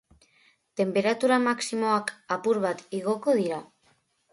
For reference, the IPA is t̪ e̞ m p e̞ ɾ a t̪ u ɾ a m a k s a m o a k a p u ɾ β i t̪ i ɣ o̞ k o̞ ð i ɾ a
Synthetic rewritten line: t̪ e̞ m p e̞ ɾ a t̪ u ɾ a m a k s i m o a k a p u ɾ β a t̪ i ɣ o̞ k o̞ ð i ɾ a